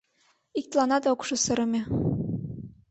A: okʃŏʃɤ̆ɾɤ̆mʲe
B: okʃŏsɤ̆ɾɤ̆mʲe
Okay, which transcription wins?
B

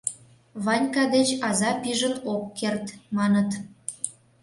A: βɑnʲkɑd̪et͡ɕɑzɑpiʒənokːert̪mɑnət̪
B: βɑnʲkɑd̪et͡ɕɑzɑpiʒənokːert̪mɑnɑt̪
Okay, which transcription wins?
A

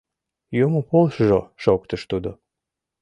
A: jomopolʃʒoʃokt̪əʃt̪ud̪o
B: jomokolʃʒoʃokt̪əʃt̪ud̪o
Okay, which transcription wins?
A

